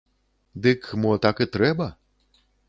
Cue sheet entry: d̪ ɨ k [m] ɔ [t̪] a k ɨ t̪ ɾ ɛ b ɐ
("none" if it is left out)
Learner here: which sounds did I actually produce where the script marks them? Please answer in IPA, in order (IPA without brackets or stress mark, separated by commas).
m, t̪